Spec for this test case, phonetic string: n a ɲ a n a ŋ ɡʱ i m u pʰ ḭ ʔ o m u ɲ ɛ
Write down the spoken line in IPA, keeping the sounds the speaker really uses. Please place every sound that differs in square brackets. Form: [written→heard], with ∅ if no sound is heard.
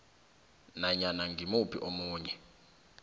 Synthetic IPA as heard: n a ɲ a n a ŋ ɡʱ i m u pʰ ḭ ʔ o m [u→uː] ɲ ɛ